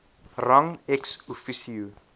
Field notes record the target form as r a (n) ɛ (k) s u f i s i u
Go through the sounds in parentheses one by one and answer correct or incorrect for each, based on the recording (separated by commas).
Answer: incorrect, correct